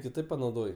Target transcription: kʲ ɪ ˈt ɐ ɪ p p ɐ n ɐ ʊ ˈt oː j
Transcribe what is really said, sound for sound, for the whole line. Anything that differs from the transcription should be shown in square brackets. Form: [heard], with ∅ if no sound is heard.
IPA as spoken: kʲ ɪ ˈt ɐ ɪ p p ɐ n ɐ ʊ [ˈd] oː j